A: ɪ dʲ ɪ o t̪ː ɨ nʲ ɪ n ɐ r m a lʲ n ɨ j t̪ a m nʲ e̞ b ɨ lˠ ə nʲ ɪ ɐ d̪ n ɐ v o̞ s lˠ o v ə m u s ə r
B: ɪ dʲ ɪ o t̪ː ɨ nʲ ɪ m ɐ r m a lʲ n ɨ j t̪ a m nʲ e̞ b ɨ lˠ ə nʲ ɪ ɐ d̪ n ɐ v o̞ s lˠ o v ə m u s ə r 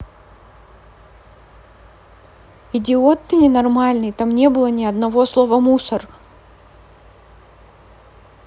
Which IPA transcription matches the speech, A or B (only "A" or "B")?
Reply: A